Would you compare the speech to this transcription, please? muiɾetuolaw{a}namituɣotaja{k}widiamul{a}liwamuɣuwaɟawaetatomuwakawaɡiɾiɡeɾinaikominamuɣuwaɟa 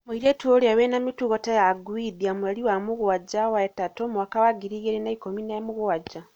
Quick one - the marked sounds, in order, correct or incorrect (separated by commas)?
incorrect, incorrect, correct